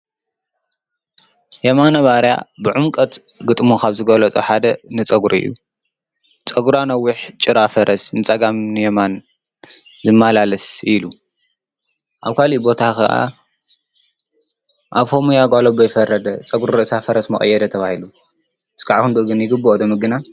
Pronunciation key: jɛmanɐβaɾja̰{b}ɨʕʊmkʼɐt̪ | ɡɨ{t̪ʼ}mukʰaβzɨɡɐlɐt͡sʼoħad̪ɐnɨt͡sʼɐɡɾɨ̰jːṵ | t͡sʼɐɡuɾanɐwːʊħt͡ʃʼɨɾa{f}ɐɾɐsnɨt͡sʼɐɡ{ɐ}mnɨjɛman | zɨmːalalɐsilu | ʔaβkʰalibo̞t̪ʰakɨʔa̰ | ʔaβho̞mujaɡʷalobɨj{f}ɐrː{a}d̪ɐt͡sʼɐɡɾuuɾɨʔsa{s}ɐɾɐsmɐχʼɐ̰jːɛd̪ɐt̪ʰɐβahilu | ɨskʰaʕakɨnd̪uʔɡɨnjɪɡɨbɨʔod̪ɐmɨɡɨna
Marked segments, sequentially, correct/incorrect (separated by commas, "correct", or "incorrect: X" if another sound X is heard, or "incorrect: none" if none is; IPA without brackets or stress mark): correct, correct, correct, incorrect: a, correct, incorrect: ɐ, incorrect: f